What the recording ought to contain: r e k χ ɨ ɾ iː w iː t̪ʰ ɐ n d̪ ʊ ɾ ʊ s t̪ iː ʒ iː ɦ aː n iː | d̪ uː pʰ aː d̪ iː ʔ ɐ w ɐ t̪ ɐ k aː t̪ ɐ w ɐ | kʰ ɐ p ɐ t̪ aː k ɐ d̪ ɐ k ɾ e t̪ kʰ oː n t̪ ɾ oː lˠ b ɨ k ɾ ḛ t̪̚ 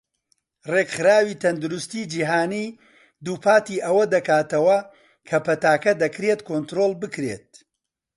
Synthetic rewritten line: r e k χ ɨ ɾ aː w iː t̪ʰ ɐ n d̪ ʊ ɾ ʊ s t̪ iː d͡ʒ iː ɦ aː n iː | d̪ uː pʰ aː t̪ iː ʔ ɐ w ɐ d̪ ɐ k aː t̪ ɐ w ɐ | kʰ ɐ p ɐ t̪ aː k ɐ d̪ ɐ k ɾ e t̪ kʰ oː n t̪ ɾ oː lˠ b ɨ k ɾ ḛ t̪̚

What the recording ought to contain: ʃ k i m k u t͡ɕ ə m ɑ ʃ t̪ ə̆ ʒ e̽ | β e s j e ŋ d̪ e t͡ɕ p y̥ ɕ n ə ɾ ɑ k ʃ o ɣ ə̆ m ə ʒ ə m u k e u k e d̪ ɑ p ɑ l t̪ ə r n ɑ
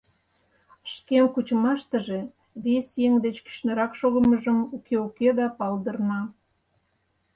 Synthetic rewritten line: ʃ k e m k u t͡ɕ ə m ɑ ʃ t̪ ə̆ ʒ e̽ | β e s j e ŋ d̪ e t͡ɕ k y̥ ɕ n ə ɾ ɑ k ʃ o ɣ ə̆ m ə ʒ ə m u k e u k e d̪ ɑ p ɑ l d̪ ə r n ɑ

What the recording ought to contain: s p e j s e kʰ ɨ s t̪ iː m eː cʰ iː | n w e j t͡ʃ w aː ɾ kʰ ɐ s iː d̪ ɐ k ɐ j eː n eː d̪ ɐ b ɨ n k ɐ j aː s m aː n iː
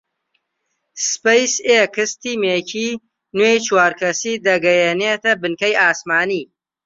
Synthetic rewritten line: s p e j s e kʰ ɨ s t̪ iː m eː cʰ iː | n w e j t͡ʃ w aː ɾ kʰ ɐ s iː d̪ ɐ ɡ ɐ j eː n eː t̪ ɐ b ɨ n k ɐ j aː s m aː n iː

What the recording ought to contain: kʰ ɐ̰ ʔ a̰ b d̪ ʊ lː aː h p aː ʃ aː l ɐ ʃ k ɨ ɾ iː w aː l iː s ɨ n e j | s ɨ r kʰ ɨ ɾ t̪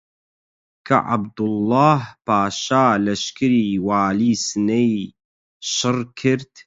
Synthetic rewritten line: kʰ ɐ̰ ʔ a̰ b d̪ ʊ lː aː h p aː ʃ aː l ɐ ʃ k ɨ ɾ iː w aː l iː s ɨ n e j | ʃ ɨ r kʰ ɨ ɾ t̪

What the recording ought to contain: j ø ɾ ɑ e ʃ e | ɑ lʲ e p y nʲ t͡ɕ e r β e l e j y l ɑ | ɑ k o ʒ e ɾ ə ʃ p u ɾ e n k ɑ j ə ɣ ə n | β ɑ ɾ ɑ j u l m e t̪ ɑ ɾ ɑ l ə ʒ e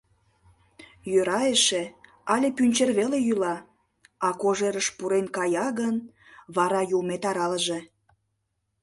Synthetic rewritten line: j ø ɾ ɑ e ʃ e | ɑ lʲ e p y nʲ t͡ɕ e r β e l e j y l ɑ | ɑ k o ʒ e ɾ ə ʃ p u ɾ e n k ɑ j ɑ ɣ ə n | β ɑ ɾ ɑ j u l m e t̪ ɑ ɾ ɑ l ə ʒ e

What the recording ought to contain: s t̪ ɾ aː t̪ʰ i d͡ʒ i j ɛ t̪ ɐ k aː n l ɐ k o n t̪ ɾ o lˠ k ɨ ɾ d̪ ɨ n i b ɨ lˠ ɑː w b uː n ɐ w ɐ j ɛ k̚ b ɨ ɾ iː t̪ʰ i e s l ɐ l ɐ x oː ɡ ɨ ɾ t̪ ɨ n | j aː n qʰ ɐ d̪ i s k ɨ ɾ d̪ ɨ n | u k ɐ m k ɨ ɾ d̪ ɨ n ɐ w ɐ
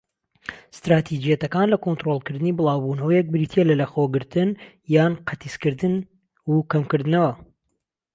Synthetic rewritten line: s t̪ ɾ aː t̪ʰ i d͡ʒ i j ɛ t̪ ɐ k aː n l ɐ k o n t̪ ɾ o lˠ k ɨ ɾ d̪ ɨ n i b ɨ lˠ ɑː w b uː n ɐ w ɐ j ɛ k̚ b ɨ ɾ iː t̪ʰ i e l ɐ l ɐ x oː ɡ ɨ ɾ t̪ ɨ n | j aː n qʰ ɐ t̪ i s k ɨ ɾ d̪ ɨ n | u k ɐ m k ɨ ɾ d̪ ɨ n ɐ w ɐ

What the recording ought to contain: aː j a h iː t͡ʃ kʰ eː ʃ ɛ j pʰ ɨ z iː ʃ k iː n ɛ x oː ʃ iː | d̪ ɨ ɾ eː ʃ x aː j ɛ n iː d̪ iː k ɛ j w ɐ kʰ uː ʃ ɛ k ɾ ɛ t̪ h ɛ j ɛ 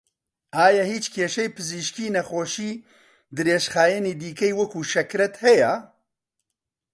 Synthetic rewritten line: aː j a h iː t͡ʃ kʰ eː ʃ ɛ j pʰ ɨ z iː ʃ k iː n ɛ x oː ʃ iː | d̪ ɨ ɾ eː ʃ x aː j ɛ n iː d̪ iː k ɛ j w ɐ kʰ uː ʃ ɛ k ɾ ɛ t̪ h ɛ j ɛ

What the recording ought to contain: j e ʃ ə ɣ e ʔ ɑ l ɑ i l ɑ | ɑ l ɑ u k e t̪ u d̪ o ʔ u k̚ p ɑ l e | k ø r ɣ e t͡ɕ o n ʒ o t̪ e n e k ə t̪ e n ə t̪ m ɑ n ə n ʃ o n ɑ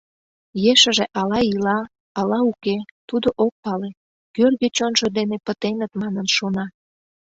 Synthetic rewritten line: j e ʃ ə ʒ e ʔ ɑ l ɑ i l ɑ | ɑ l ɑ u k e t̪ u d̪ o ʔ o k̚ p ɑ l e | k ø r ɣ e t͡ɕ o n ʒ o d̪ e n e p ə t̪ e n ə t̪ m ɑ n ə n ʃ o n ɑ

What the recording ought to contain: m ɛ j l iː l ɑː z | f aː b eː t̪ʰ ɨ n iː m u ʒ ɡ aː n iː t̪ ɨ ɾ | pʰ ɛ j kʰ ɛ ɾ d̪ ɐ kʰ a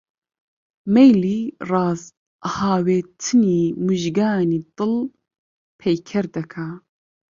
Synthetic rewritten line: m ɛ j l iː r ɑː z | h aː w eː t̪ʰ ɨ n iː m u ʒ ɡ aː n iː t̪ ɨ l | pʰ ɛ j kʰ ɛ ɾ d̪ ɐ kʰ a

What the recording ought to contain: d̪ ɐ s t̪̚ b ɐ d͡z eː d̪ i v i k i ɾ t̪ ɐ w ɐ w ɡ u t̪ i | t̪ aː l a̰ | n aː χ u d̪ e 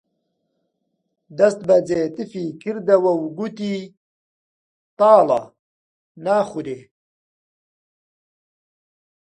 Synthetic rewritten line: d̪ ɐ s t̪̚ b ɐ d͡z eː t̪ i f i k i ɾ d̪ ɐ w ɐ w ɡ u t̪ i | t̪ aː l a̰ | n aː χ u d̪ e

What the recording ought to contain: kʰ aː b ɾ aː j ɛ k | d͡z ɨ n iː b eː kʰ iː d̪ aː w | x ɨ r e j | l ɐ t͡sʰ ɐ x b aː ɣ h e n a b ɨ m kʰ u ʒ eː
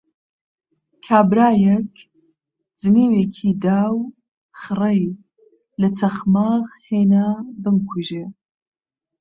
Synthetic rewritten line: kʰ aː b ɾ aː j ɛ k | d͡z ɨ n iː w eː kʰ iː d̪ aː w | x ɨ r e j | l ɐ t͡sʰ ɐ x m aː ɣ h e n a b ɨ m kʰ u ʒ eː

